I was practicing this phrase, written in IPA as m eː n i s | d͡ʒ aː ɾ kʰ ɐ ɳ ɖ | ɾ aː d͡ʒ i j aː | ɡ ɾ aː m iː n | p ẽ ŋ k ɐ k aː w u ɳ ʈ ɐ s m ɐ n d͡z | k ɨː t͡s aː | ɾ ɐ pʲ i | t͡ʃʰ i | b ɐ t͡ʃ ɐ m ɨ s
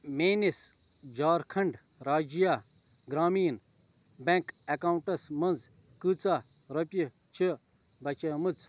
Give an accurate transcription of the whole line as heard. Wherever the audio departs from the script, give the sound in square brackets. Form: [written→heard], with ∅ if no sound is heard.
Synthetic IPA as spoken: m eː n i s | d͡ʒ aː ɾ kʰ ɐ ɳ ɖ | ɾ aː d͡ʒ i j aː | ɡ ɾ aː m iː n | [p→b] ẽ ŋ k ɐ k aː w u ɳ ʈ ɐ s m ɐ n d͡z | k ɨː t͡s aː | ɾ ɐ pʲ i | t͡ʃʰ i | b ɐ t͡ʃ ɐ m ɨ [s→t͡s]